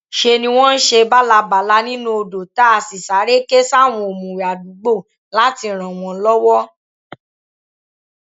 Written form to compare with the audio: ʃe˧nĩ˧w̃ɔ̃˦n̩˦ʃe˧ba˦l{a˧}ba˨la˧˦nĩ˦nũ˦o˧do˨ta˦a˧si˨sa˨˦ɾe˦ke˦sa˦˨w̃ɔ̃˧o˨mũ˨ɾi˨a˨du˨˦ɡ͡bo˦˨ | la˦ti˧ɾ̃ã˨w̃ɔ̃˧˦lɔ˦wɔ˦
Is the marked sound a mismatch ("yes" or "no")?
no